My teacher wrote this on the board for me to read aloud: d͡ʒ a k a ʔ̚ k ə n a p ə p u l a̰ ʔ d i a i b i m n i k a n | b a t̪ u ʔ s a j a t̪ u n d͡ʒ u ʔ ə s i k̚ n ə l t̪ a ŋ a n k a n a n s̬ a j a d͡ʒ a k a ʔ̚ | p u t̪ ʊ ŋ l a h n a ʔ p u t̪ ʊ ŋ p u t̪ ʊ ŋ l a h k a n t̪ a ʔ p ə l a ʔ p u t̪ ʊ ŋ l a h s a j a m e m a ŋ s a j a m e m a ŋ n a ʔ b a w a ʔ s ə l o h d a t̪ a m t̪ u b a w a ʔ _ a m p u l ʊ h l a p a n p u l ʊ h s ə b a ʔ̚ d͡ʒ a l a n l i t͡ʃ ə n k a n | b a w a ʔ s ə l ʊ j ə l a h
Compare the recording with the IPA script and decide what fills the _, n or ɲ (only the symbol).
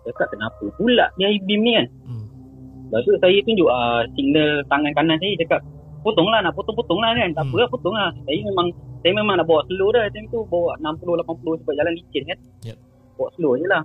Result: n